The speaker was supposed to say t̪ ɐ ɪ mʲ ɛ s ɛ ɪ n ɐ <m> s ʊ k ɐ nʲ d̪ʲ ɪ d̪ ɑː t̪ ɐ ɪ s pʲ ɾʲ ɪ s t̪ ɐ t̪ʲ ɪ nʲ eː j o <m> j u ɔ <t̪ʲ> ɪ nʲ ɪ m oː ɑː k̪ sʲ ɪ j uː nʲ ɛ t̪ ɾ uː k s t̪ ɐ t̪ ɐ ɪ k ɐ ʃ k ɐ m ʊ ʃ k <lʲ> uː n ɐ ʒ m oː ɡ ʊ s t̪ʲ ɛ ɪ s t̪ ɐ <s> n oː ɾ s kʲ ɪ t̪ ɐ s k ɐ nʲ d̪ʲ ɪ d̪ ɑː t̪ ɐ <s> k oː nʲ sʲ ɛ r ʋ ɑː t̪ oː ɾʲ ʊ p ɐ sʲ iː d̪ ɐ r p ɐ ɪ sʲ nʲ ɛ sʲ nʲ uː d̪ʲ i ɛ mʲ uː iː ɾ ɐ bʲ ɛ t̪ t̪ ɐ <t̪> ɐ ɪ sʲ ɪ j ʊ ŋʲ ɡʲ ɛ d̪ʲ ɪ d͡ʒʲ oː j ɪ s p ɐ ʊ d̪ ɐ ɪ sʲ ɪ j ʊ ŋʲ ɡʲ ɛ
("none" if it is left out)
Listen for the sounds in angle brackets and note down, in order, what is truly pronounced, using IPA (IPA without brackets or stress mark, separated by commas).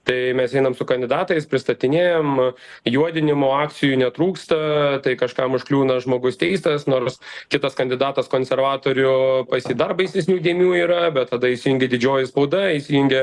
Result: m, m, d̪ʲ, lʲ, s, s, d̪